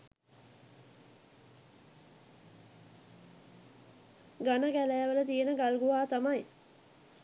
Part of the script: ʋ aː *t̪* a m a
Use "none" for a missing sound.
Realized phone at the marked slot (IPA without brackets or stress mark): t̪